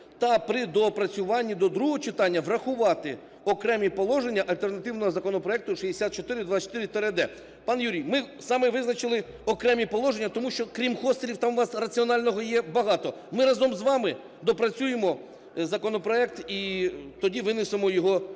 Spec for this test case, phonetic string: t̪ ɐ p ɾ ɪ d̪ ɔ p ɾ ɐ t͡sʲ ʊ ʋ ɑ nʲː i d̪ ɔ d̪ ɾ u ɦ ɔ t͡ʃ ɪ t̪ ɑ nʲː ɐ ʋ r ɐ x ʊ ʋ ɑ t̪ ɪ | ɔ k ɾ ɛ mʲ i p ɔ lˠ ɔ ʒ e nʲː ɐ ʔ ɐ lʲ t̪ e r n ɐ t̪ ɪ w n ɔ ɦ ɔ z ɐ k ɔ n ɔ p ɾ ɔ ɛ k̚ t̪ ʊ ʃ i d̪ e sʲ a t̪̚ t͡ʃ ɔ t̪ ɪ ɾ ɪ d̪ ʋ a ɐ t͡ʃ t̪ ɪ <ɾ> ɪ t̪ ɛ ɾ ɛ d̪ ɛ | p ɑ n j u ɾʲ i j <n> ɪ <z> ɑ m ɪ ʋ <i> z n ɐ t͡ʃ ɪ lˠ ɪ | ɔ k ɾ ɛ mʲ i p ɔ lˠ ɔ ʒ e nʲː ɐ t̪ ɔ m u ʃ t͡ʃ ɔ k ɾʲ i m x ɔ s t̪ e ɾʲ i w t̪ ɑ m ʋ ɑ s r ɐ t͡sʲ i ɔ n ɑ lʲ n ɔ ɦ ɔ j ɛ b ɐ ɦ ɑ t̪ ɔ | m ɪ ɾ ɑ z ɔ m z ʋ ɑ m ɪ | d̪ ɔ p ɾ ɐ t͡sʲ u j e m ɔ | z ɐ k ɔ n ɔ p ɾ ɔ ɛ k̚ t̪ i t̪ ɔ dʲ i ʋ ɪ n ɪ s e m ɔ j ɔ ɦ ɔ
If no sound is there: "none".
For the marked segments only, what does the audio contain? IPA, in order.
ɾ, m, s, ɪ

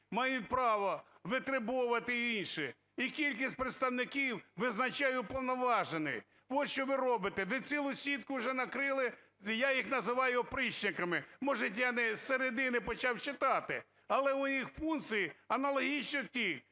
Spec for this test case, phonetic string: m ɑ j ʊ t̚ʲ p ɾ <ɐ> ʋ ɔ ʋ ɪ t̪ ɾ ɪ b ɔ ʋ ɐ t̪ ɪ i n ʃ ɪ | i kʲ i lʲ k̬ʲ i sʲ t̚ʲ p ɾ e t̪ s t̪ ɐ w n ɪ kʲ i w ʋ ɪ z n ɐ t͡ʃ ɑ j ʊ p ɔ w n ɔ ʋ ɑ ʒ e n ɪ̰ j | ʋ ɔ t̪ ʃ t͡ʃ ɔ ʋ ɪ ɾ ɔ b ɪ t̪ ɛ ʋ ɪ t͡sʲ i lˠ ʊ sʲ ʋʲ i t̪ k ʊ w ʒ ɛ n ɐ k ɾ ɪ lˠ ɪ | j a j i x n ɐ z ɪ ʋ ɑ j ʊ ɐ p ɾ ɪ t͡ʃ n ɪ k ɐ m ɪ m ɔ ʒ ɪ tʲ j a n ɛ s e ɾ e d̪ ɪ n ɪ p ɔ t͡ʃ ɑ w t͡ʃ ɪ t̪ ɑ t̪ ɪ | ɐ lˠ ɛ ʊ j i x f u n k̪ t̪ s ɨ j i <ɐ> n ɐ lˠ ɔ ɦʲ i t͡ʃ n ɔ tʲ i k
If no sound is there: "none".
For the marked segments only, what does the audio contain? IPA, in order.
ɑ, ɐ

